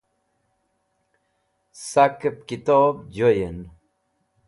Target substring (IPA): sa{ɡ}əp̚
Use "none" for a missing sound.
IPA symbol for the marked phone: k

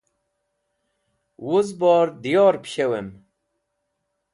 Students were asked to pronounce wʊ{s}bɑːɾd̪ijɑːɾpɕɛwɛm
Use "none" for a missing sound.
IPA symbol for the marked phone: z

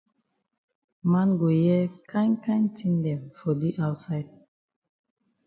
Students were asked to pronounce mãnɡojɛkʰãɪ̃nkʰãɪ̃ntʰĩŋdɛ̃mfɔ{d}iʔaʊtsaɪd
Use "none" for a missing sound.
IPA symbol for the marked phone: d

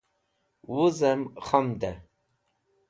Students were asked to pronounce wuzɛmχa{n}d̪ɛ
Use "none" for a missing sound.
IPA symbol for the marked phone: m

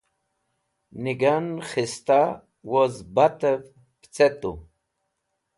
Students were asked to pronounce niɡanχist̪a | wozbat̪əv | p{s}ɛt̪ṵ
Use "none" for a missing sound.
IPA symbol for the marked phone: t͡s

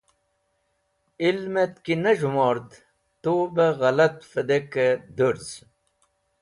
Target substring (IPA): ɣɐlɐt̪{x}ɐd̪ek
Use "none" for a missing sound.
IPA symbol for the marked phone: f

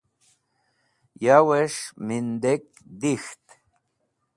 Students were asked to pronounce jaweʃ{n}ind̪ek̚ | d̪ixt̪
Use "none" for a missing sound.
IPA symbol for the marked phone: m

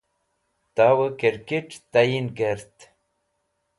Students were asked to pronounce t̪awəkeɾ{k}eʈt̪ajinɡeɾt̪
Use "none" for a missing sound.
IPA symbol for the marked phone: k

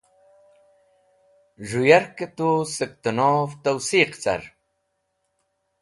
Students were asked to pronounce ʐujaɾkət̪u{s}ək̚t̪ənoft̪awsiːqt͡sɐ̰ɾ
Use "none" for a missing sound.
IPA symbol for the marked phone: s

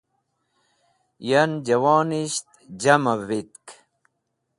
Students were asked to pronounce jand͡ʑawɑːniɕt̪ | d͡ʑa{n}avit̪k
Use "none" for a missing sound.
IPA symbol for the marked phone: m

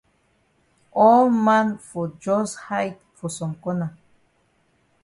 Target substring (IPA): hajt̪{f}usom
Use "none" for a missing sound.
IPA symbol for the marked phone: f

